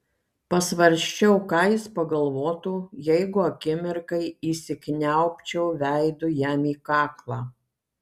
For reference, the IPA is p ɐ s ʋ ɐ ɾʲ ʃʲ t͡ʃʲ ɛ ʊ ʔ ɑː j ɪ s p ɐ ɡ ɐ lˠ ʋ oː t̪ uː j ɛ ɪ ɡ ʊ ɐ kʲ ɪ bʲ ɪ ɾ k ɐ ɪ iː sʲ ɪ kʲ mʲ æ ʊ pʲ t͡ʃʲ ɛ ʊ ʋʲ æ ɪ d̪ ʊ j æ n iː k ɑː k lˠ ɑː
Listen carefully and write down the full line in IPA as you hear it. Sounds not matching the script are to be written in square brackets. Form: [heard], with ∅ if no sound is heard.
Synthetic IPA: p ɐ s ʋ ɐ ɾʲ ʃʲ t͡ʃʲ ɛ ʊ [k] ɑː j ɪ s p ɐ ɡ ɐ lˠ ʋ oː t̪ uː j ɛ ɪ ɡ ʊ ɐ kʲ ɪ [mʲ] ɪ ɾ k ɐ ɪ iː sʲ ɪ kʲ [nʲ] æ ʊ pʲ t͡ʃʲ ɛ ʊ ʋʲ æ ɪ d̪ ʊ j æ [m] iː k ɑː k lˠ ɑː

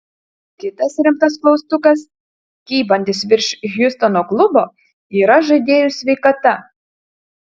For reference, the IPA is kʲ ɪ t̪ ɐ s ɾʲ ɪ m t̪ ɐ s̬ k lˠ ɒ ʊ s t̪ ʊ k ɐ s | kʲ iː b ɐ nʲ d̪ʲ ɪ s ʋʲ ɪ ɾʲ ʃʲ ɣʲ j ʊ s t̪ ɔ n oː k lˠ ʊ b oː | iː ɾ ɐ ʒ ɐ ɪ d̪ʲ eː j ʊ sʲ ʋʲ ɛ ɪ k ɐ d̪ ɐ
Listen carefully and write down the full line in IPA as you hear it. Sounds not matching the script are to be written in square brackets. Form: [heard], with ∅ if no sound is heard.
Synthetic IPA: kʲ ɪ t̪ ɐ s ɾʲ ɪ m t̪ ɐ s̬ k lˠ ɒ ʊ s t̪ ʊ k ɐ s | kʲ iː b ɐ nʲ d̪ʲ ɪ s ʋʲ ɪ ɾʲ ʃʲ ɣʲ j ʊ s t̪ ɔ n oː k lˠ ʊ b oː | iː ɾ ɐ ʒ ɐ ɪ d̪ʲ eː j ʊ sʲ ʋʲ ɛ ɪ k ɐ [t̪] ɐ

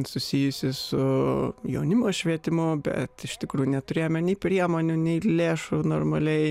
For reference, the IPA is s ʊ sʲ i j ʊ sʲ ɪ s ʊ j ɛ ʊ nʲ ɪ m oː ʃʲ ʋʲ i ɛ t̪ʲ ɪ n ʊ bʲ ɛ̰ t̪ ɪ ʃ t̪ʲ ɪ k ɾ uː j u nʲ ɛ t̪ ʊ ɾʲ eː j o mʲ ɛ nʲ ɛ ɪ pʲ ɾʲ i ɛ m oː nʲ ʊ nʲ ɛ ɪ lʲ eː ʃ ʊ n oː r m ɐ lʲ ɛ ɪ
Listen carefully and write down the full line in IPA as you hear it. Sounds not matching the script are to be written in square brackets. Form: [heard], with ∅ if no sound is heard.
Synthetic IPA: s ʊ sʲ i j ʊ sʲ ɪ s ʊ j ɛ ʊ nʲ ɪ m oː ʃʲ ʋʲ i ɛ t̪ʲ ɪ [m] ʊ bʲ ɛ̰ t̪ ɪ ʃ t̪ʲ ɪ k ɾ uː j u nʲ ɛ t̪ ʊ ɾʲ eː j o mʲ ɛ nʲ ɛ ɪ pʲ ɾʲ i ɛ m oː nʲ ʊ nʲ ɛ ɪ lʲ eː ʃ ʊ n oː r m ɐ lʲ ɛ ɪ

